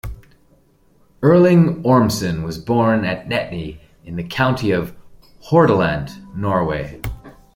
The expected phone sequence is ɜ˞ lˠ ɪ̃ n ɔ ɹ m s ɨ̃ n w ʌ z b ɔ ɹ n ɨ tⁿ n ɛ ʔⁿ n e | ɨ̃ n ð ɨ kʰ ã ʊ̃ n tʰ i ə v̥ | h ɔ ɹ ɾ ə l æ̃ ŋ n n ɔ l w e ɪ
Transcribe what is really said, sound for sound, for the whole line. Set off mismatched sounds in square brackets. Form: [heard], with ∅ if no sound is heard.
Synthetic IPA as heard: ɜ˞ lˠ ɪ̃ [ŋ] ɔ ɹ m s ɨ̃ n w ʌ z b ɔ ɹ n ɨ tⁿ n ɛ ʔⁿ n [i] | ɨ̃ n ð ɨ kʰ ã ʊ̃ n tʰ i [ʌ] v̥ | h ɔ ɹ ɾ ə l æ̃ [∅] n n ɔ [ɹ] w e ɪ